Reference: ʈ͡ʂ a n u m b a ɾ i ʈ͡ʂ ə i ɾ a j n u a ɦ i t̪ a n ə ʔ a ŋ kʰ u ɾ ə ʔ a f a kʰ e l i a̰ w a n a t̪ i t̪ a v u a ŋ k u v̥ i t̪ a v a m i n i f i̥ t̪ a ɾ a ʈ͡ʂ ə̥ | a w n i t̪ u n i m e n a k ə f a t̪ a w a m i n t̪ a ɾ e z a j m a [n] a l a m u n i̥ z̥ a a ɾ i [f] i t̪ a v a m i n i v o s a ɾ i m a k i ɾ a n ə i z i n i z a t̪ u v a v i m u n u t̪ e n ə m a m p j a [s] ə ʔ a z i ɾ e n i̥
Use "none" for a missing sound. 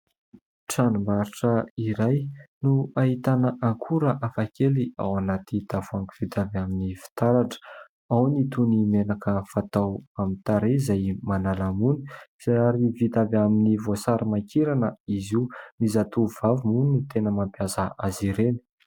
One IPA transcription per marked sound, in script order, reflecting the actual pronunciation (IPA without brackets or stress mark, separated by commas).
n, v, z